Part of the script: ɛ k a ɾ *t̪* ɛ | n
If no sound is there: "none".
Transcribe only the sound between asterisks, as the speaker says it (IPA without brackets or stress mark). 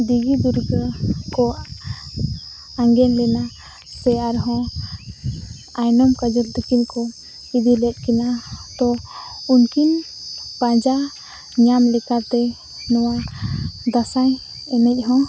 t̪